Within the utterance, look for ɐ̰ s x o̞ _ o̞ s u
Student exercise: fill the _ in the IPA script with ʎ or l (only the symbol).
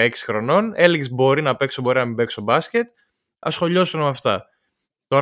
ʎ